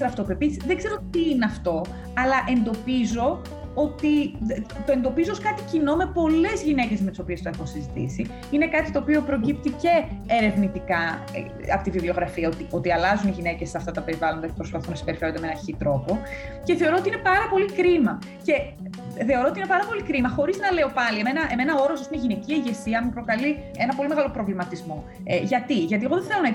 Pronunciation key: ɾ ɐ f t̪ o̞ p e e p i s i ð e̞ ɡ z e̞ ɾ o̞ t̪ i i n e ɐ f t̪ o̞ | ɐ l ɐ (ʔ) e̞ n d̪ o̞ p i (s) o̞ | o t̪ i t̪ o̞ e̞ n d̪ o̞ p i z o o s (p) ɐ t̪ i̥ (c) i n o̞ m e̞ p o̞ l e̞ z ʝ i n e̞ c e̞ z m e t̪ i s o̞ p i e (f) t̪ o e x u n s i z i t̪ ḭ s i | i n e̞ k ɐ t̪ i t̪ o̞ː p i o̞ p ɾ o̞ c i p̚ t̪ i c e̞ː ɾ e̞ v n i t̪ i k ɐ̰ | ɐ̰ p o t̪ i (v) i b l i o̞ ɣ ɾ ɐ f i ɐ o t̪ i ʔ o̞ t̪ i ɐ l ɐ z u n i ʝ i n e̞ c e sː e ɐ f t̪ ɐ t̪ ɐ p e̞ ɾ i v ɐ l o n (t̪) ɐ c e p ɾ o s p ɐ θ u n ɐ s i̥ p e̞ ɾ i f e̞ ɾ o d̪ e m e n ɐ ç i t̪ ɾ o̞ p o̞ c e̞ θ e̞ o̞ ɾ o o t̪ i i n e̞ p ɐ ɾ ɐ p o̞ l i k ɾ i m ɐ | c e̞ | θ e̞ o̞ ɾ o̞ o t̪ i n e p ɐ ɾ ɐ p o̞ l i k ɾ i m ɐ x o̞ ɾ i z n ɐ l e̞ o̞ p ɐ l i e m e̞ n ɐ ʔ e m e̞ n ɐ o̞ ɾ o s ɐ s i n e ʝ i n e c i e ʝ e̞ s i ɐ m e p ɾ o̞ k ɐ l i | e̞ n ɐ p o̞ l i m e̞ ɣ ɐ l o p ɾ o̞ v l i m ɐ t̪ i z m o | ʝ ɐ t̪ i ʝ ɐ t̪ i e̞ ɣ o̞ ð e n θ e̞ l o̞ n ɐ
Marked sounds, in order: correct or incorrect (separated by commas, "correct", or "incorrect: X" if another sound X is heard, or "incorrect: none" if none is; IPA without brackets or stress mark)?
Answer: correct, incorrect: z, incorrect: k, correct, incorrect: s, correct, incorrect: d̪